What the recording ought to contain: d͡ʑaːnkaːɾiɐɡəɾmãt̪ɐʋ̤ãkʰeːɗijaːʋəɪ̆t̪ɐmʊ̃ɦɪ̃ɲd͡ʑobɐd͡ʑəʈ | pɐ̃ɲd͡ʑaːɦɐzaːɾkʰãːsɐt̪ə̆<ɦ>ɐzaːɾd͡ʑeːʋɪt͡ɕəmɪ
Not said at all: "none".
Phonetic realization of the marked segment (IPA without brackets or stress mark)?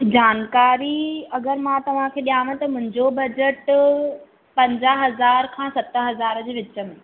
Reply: ɦ